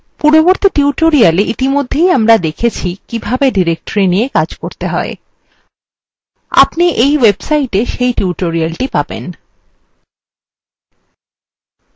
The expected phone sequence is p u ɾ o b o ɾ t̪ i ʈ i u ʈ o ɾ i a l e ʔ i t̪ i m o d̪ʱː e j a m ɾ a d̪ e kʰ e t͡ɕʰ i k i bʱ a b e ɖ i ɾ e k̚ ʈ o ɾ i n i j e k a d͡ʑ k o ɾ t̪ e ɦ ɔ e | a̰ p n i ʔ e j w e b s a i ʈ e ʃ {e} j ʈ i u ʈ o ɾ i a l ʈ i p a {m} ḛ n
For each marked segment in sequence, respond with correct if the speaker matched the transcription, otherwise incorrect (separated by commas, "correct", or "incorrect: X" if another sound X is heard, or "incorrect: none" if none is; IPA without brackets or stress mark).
correct, incorrect: b